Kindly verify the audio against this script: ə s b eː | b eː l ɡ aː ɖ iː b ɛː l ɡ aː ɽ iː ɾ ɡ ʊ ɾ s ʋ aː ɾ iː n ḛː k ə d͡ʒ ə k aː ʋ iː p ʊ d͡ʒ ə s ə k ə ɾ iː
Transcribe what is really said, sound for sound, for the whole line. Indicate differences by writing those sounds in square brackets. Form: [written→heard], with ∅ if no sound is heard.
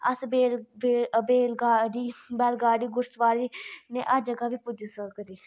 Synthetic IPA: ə s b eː | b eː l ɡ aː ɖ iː b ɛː l ɡ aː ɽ iː [ɾ→∅] ɡ ʊ ɾ s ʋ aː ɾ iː n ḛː [k→ʔ] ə d͡ʒ ə [k→ɡ] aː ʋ iː p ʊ d͡ʒ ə s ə k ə ɾ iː